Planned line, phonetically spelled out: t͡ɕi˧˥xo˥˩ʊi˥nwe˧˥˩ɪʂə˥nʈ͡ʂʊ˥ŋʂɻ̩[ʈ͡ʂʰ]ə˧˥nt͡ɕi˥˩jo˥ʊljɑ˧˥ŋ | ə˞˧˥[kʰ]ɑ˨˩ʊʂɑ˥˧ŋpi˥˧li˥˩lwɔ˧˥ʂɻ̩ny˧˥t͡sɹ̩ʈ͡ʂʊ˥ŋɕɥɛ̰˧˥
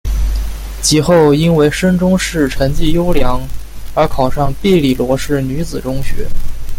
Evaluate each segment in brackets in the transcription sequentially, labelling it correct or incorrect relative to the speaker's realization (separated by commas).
correct, correct